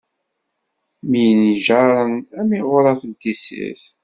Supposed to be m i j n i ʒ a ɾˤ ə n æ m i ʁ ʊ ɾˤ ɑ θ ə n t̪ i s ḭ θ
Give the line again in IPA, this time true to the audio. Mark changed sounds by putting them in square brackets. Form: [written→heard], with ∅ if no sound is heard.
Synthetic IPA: m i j n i ʒ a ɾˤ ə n æ m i ʁ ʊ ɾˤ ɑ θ ə n t̪ i s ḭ θ